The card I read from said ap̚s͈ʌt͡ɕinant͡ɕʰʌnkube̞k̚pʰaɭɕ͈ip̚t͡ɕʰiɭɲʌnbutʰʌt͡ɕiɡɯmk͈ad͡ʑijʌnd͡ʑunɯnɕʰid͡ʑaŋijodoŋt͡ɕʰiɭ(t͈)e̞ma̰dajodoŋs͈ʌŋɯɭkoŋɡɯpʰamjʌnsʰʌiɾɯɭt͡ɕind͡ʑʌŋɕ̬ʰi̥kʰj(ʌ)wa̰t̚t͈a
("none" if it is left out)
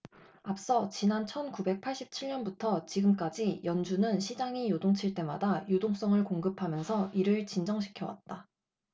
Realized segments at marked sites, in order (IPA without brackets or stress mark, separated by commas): t͈, ʌ